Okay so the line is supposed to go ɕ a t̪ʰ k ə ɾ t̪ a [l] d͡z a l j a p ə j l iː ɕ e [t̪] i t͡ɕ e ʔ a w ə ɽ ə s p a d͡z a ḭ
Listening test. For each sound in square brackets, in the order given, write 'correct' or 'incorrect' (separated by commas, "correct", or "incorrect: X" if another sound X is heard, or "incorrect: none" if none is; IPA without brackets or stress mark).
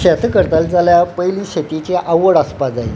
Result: correct, correct